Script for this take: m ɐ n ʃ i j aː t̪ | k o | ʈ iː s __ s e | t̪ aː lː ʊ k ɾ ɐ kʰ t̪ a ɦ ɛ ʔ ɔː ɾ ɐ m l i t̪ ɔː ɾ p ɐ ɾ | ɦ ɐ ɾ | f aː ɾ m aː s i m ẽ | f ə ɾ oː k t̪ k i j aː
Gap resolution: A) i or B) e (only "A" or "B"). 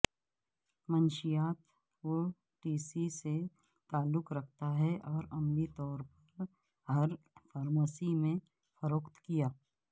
A